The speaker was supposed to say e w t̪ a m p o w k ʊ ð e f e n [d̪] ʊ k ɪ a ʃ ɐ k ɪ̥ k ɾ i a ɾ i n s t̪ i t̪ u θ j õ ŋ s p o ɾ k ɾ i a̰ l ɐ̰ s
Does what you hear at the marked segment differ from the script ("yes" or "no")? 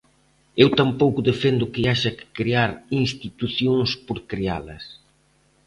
no